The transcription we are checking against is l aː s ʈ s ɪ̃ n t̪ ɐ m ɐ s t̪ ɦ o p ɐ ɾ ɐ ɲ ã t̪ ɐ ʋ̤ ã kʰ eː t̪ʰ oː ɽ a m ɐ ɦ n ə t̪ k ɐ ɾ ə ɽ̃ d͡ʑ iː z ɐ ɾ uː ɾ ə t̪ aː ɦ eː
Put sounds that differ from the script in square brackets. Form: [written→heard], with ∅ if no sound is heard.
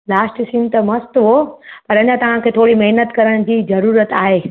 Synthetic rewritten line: l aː s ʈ s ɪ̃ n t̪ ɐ m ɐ s t̪ ɦ o p ɐ ɾ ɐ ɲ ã t̪ ɐ ʋ̤ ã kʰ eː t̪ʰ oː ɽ [a→i] m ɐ ɦ n ə t̪ k ɐ ɾ ə ɽ̃ d͡ʑ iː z ɐ ɾ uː ɾ ə t̪ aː ɦ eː